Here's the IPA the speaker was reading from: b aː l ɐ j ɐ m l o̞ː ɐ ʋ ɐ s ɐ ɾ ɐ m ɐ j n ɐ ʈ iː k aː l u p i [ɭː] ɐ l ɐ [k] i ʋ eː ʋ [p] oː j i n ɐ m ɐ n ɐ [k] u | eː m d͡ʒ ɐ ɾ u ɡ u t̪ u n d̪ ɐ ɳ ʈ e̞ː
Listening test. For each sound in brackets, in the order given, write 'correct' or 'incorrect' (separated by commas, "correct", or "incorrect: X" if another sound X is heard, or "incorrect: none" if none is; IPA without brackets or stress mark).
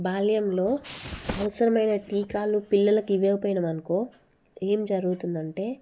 incorrect: lː, correct, correct, correct